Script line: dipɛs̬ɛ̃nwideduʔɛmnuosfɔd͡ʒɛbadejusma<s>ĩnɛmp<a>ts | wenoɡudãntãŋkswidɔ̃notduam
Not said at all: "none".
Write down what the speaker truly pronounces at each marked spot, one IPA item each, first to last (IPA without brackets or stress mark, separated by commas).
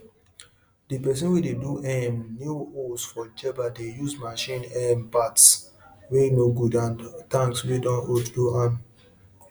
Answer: ʃ, a